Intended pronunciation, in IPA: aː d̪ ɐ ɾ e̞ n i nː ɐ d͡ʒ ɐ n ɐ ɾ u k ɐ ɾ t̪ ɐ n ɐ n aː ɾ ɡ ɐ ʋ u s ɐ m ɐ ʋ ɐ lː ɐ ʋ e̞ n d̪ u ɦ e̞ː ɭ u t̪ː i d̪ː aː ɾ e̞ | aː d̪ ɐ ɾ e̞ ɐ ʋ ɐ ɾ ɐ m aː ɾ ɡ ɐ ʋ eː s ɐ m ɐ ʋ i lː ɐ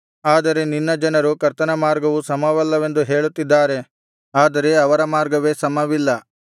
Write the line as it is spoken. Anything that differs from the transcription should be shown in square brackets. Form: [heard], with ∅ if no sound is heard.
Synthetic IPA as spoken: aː d̪ ɐ ɾ e̞ n i nː ɐ d͡ʒ ɐ n ɐ ɾ u k ɐ ɾ t̪ ɐ n ɐ [m] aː ɾ ɡ ɐ ʋ u s ɐ m ɐ ʋ ɐ lː ɐ ʋ e̞ n d̪ u ɦ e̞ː ɭ u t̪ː i d̪ː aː ɾ e̞ | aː d̪ ɐ ɾ e̞ ɐ ʋ ɐ ɾ ɐ m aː ɾ ɡ ɐ ʋ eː s ɐ m ɐ ʋ i lː ɐ